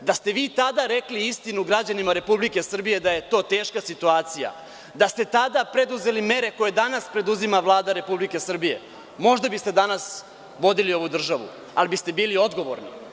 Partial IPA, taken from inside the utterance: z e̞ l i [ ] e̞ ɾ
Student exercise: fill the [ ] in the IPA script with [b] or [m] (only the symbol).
m